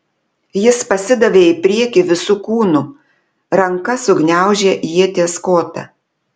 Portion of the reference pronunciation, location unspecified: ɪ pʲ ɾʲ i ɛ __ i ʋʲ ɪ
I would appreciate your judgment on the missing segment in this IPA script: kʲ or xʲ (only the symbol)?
kʲ